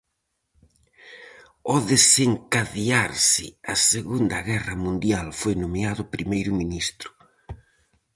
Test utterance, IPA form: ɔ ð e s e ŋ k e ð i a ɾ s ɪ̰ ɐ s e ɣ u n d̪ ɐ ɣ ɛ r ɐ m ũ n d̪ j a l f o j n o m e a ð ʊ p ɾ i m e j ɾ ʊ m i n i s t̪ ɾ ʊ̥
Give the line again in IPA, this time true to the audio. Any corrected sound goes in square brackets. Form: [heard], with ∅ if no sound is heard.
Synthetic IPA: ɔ ð e s e ŋ k [a] ð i a ɾ s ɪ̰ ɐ s e ɣ u n d̪ ɐ ɣ ɛ r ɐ m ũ n d̪ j a l f o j n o m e a ð ʊ p ɾ i m e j ɾ ʊ m i n i s t̪ ɾ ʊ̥